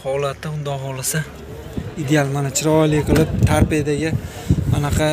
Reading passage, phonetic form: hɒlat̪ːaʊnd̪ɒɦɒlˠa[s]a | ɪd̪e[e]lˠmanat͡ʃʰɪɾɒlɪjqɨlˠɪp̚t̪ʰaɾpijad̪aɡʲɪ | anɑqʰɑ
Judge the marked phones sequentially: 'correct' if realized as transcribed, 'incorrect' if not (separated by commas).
correct, incorrect